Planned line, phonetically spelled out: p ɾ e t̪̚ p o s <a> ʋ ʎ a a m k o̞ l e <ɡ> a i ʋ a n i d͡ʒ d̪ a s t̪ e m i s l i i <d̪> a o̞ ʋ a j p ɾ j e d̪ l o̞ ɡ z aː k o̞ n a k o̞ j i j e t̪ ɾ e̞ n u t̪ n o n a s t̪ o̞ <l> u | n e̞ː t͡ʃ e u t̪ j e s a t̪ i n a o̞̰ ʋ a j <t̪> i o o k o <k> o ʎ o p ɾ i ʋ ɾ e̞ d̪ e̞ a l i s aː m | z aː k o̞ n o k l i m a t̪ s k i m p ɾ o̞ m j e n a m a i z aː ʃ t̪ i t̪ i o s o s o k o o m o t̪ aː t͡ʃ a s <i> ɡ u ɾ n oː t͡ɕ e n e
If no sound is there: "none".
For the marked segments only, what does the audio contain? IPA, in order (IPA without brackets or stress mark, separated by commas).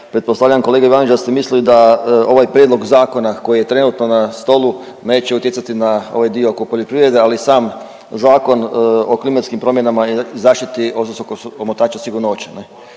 a, ɡ, d̪, l, d̪, p, i